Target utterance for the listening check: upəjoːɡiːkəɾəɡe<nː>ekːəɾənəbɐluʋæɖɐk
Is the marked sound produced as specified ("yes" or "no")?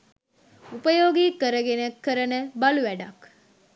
no